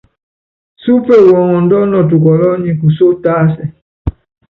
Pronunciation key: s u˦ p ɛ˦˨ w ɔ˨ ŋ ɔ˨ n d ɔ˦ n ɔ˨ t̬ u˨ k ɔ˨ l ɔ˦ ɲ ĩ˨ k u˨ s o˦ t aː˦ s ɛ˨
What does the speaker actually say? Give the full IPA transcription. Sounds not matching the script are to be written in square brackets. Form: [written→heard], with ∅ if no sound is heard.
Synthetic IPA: s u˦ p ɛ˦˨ w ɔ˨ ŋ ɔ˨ n d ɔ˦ n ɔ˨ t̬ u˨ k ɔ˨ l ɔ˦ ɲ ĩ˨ k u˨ s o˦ t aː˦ s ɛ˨